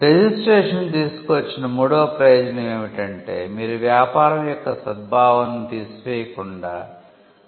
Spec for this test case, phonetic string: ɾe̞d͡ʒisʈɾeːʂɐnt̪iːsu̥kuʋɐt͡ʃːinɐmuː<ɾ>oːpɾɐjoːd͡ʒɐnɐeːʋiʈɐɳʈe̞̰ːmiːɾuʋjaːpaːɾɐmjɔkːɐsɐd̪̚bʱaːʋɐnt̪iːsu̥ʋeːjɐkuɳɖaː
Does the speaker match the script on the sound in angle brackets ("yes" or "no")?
no